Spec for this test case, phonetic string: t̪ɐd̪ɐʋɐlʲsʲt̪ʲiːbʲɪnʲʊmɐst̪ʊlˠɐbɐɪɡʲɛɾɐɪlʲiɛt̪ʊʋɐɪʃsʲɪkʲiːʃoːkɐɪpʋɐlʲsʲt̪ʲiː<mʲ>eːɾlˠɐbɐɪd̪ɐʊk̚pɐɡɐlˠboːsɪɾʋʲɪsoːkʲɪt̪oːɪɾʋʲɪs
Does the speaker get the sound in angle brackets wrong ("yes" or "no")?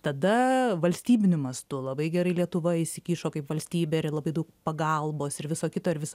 yes